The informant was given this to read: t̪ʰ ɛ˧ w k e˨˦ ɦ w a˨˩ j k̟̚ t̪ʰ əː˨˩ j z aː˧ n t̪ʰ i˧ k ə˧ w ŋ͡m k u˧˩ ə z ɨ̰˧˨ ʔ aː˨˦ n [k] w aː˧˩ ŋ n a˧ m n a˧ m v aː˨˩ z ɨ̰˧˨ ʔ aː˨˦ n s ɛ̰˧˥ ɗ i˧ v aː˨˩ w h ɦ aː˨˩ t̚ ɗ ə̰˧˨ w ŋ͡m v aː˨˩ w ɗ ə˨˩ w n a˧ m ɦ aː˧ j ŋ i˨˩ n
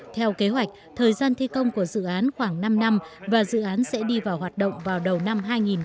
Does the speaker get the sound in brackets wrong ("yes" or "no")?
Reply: yes